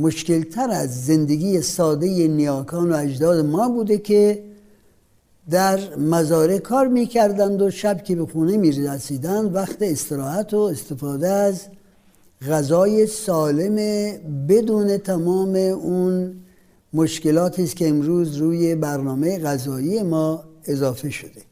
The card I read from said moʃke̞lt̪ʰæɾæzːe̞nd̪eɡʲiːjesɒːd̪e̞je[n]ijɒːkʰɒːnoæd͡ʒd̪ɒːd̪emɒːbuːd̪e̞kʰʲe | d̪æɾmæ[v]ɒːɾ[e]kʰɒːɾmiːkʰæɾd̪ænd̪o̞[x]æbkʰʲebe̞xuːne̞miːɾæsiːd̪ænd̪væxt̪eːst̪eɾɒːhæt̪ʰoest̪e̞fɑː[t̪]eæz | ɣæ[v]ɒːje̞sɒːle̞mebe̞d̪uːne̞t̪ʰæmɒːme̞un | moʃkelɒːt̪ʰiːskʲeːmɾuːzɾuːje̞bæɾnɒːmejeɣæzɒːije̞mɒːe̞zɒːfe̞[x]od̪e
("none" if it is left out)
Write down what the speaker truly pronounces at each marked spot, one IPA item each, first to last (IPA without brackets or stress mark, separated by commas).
n, z, e, ʃ, d̪, z, ʃ